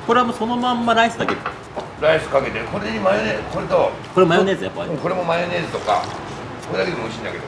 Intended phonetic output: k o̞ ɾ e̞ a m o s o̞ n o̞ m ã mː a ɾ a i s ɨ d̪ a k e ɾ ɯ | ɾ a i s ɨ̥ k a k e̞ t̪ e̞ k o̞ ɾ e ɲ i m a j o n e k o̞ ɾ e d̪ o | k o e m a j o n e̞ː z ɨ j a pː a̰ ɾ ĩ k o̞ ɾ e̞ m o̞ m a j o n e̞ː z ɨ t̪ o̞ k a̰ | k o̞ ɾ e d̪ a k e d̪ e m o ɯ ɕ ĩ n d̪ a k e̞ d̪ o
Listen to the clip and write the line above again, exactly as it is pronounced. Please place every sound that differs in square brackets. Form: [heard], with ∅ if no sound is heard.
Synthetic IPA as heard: k o̞ ɾ e̞ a m o s o̞ n o̞ m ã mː a ɾ a i s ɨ d̪ a k e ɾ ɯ | ɾ a i s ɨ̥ k a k e̞ t̪ e̞ k o̞ ɾ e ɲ i m a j o n e k o̞ ɾ e [t̪] o | k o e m a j o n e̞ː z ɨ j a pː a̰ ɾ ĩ k o̞ ɾ e̞ m o̞ m a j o n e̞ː z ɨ t̪ o̞ k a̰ | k o̞ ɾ e d̪ a k e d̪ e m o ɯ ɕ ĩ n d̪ a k e̞ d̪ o

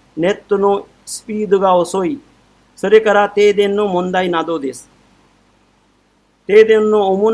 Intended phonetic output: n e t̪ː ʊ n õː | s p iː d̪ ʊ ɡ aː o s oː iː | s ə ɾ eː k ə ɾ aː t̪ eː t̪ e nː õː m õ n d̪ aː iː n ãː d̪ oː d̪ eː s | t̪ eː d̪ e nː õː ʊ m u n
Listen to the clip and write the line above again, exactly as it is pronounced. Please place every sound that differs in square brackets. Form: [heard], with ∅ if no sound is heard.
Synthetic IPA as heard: n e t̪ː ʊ n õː | s p iː d̪ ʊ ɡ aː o s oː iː | s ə ɾ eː k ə ɾ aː t̪ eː [d̪] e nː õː m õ n d̪ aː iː n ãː d̪ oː d̪ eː s | t̪ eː d̪ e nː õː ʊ m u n

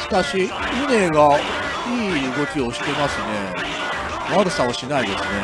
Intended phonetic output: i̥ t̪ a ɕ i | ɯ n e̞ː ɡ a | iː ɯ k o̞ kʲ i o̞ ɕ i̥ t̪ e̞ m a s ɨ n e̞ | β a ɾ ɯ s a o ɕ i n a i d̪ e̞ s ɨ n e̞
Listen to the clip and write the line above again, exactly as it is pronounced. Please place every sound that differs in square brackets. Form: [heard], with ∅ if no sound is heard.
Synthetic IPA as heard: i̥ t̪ a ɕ i | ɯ n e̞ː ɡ a | iː ɯ [ɡ] o̞ kʲ i o̞ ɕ i̥ t̪ e̞ m a s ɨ n e̞ | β a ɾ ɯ s a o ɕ i n a i d̪ e̞ s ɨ n e̞

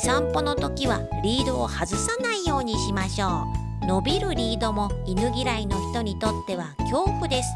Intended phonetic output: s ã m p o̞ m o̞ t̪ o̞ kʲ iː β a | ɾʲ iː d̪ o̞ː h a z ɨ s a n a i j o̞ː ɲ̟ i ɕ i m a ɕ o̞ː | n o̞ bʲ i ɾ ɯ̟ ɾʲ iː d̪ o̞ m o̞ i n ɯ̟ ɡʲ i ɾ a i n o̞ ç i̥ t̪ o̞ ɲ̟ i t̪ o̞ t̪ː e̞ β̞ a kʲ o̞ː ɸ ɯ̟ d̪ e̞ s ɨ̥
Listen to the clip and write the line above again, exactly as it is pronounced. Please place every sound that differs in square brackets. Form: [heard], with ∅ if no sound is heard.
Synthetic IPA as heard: s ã m p o̞ [n] o̞ t̪ o̞ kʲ [i] β a | ɾʲ iː d̪ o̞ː h a z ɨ s a n a i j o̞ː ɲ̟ i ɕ i m a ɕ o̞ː | n o̞ bʲ i ɾ ɯ̟ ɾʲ iː d̪ o̞ m o̞ i n ɯ̟ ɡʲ i ɾ a i n o̞ ç i̥ t̪ o̞ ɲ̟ i t̪ o̞ t̪ː e̞ β̞ a kʲ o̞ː ɸ ɯ̟ d̪ e̞ s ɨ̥

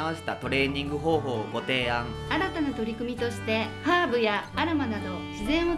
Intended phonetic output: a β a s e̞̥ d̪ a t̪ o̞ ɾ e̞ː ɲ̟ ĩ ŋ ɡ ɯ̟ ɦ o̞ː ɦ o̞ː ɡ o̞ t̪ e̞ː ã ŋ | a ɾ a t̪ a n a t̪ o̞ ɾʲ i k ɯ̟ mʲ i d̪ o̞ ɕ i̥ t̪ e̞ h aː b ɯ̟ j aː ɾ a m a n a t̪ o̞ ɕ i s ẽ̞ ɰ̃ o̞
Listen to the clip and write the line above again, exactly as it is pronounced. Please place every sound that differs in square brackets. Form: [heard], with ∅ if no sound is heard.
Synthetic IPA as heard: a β a s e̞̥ [t̪] a t̪ o̞ ɾ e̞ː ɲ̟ ĩ ŋ ɡ ɯ̟ ɦ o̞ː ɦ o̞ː ɡ o̞ t̪ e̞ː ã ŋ | a ɾ a t̪ a n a t̪ o̞ ɾʲ i k ɯ̟ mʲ i [t̪] o̞ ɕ i̥ t̪ e̞ h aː b ɯ̟ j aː ɾ a m a n a [d̪] o̞ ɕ i [z] ẽ̞ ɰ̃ o̞

